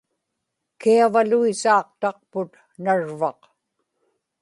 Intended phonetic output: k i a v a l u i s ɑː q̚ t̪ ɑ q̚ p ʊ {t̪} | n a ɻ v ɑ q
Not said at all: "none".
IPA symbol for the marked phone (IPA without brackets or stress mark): t̪